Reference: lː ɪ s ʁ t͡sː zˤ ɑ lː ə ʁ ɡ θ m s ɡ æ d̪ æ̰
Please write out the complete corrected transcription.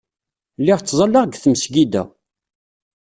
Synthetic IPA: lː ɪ ʁ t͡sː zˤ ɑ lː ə ʁ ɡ θ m s ɡ i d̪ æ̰